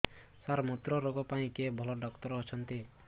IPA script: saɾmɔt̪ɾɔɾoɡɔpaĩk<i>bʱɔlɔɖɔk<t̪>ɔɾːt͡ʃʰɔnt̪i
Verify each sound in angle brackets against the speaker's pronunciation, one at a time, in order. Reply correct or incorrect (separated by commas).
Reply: incorrect, correct